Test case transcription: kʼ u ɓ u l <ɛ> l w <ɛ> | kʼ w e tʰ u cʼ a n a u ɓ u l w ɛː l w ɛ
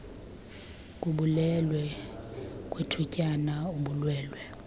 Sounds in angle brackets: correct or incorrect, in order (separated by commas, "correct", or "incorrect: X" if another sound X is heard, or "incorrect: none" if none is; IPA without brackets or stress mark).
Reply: correct, correct